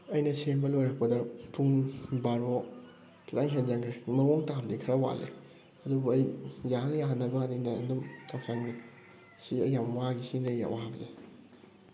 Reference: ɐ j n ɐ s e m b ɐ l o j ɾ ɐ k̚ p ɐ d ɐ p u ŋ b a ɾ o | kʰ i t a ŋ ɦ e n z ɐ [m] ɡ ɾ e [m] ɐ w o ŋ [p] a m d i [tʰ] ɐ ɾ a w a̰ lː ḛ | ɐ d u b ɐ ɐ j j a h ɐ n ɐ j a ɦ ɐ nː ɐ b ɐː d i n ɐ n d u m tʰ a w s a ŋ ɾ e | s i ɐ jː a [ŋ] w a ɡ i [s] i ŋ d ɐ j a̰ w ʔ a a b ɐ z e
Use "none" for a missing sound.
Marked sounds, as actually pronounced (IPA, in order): ŋ, m, t, kʰ, m, s

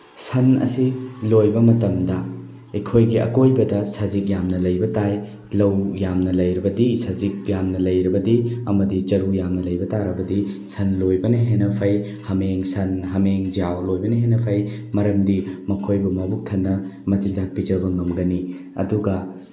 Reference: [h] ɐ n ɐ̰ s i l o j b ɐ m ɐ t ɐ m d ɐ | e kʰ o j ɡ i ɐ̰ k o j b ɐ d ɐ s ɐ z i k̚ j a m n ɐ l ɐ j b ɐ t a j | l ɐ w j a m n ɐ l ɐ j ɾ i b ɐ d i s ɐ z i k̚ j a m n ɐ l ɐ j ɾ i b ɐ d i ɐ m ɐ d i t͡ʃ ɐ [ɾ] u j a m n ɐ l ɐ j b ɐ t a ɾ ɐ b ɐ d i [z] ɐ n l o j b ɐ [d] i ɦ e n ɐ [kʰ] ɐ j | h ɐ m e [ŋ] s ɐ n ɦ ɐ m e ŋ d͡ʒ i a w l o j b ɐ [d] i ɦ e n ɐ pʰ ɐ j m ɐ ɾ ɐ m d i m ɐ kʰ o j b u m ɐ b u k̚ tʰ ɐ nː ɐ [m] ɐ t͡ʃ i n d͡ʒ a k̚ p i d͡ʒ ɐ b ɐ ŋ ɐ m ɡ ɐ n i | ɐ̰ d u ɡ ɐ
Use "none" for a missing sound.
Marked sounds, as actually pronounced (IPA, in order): s, ɾ, s, n, pʰ, ŋ, n, m

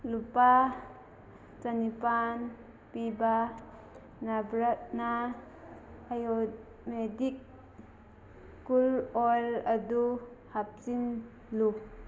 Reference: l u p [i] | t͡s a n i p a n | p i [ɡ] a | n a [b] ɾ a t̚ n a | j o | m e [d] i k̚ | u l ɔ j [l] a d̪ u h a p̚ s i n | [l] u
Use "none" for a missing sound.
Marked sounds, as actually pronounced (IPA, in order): a, b, b, d, l, l

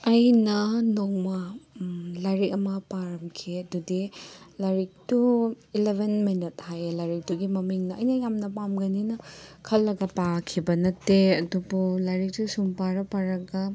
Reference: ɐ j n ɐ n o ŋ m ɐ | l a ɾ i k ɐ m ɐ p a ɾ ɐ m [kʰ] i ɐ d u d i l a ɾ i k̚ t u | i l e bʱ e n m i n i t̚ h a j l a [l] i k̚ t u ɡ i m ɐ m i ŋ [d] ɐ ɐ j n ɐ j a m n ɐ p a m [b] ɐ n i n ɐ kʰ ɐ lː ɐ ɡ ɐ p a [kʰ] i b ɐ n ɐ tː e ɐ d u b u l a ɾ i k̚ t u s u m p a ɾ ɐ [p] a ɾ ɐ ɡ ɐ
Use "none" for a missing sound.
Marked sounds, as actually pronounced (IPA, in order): kʰ, ɾ, n, ɡ, kʰ, p

